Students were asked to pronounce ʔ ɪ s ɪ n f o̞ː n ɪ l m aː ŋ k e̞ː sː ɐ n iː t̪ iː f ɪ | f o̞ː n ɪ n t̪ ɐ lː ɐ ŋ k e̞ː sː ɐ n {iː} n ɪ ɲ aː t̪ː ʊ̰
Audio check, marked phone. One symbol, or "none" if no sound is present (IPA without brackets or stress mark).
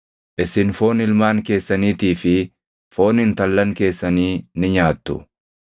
iː